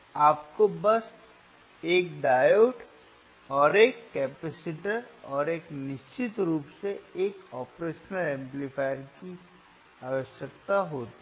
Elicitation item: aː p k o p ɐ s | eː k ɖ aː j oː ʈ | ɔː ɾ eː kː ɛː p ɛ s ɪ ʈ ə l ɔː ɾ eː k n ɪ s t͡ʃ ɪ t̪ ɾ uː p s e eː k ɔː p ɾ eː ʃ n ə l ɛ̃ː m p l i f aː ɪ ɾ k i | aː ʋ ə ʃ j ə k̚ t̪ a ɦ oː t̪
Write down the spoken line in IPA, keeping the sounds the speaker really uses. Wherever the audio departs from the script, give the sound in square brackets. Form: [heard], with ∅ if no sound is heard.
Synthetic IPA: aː p k o [b] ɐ s | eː k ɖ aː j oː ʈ | ɔː ɾ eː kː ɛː p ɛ s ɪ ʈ ə [ɾ] ɔː ɾ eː k n ɪ [ʃ] t͡ʃ ɪ t̪ ɾ uː p s e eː k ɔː p ɾ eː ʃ n ə l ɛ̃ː m p l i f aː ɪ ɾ k i | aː ʋ ə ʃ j ə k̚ t̪ a ɦ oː t̪